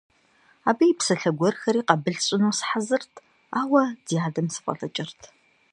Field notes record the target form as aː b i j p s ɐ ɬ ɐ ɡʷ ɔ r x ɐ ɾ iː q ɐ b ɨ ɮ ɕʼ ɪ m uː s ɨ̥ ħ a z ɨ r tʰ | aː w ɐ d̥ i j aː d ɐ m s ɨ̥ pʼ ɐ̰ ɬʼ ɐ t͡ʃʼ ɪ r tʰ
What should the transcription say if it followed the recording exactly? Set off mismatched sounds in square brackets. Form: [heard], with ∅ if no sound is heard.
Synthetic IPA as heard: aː b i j p s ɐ ɬ ɐ ɡʷ ɔ r x ɐ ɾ iː q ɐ b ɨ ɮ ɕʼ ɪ [n] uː s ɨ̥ ħ a z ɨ r tʰ | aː w ɐ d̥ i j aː d ɐ m s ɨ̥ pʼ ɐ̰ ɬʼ ɐ t͡ʃʼ ɪ r tʰ